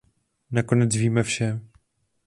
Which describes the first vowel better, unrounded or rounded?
unrounded